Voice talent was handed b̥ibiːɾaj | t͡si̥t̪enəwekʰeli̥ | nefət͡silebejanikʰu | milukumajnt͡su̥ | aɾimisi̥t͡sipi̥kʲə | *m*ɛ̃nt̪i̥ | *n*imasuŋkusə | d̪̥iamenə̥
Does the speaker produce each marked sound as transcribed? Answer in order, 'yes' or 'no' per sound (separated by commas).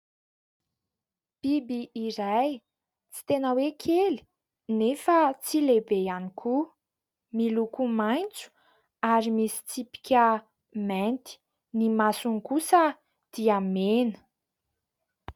yes, yes